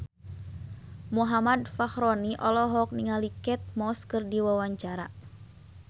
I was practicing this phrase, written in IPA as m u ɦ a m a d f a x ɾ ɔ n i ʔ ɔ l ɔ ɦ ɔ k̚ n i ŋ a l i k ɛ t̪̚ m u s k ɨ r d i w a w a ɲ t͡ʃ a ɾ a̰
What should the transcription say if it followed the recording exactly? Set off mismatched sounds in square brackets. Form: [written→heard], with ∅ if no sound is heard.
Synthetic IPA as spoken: m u ɦ a m a d f a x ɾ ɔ n i ʔ ɔ l ɔ ɦ ɔ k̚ n i ŋ a l i k ɛ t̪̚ m [u→ɔ] s k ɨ r d i w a w a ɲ t͡ʃ a ɾ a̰